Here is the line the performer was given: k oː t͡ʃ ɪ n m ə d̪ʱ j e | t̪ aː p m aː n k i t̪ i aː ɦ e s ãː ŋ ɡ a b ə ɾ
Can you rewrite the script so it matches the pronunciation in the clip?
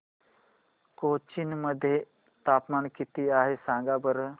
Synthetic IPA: k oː t͡ʃ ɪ n m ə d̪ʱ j e | t̪ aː p m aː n k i t̪ i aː ɦ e s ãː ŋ ɡ a b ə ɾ